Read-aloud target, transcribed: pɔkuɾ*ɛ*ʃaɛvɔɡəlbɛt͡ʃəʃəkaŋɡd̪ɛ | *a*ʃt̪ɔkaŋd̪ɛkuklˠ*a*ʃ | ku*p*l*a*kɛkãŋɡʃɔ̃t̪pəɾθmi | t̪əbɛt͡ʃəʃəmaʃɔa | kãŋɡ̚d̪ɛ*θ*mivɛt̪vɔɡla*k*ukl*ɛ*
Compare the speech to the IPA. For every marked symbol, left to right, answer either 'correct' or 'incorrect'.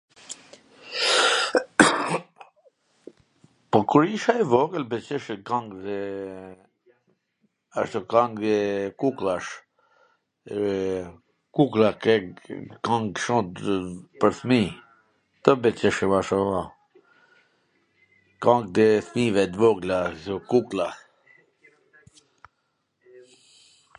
incorrect: i, correct, correct, incorrect: k, correct, correct, correct, incorrect: a

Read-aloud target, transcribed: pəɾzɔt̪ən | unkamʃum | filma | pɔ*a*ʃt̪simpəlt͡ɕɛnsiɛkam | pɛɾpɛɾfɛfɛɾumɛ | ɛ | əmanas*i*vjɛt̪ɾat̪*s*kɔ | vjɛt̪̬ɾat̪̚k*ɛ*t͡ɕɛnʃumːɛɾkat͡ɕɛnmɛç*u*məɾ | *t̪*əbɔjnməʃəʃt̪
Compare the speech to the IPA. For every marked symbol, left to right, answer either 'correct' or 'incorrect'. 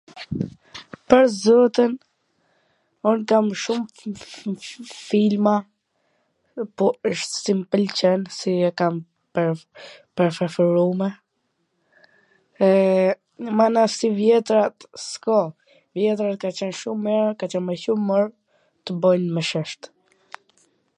incorrect: ə, correct, correct, incorrect: a, correct, correct

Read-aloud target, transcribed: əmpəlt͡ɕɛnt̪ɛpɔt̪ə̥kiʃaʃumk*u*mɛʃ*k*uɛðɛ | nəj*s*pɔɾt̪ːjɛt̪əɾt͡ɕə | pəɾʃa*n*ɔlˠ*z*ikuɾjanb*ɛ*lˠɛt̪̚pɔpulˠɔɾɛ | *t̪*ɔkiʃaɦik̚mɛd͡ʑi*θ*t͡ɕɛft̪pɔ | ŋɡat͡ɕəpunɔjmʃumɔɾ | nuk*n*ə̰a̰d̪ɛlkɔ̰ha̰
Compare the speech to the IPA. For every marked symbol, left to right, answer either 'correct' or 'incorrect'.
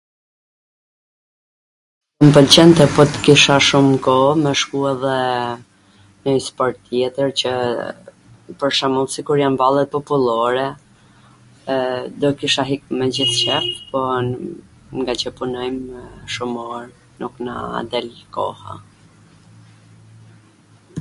incorrect: ɔ, correct, correct, incorrect: m, incorrect: s, incorrect: a, incorrect: d̪, correct, correct

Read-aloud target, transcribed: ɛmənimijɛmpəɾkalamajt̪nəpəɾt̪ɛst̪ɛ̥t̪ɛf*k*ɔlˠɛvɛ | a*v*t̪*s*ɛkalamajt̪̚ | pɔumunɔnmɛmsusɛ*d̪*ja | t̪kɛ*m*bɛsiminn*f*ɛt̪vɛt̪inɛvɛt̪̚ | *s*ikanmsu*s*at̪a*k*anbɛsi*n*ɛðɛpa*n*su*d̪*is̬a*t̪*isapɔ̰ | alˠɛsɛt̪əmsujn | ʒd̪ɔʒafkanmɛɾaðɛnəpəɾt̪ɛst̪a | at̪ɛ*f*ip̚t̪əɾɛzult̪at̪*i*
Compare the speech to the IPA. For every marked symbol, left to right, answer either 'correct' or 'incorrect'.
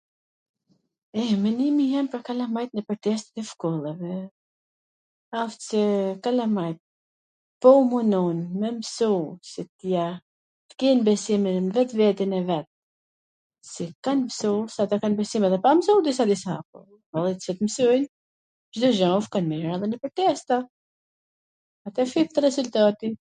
correct, incorrect: f, correct, incorrect: t̪, incorrect: n, incorrect: v, correct, correct, correct, incorrect: m, incorrect: m, correct, incorrect: d̪, correct, correct

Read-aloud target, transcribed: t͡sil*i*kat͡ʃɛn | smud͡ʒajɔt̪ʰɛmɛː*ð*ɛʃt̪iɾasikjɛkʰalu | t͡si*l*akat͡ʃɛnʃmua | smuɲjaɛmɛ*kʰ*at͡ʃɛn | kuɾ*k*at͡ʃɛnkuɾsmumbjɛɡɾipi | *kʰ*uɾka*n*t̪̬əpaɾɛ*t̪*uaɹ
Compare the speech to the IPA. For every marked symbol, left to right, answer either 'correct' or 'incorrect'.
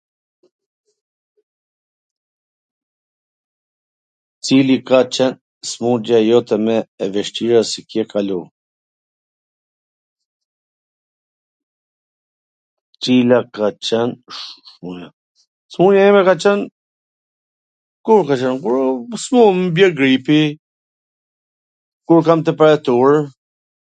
correct, incorrect: v, correct, incorrect: k, correct, incorrect: k, incorrect: m, correct

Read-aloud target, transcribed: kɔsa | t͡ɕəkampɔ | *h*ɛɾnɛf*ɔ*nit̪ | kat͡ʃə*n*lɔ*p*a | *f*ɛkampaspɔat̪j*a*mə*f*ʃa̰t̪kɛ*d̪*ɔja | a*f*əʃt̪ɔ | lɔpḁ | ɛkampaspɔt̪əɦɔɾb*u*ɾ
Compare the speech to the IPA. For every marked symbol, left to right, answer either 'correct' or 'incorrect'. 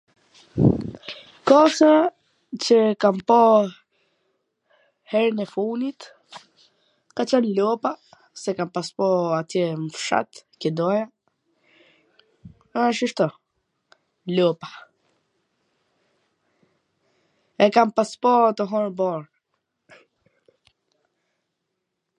correct, incorrect: u, correct, correct, incorrect: s, incorrect: ɛ, correct, correct, incorrect: ʃ, incorrect: ɔ

